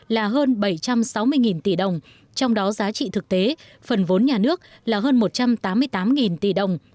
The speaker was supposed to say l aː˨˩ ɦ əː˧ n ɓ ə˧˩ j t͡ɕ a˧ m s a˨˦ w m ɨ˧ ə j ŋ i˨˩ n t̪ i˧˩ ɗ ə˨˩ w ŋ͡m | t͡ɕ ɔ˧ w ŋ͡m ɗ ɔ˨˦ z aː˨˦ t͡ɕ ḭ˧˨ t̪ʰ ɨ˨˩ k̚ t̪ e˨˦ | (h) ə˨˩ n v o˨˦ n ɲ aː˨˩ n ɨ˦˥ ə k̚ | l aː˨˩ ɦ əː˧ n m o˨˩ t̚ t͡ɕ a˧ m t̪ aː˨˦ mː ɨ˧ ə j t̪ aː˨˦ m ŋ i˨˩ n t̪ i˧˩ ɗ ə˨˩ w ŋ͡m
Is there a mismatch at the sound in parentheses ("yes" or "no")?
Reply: yes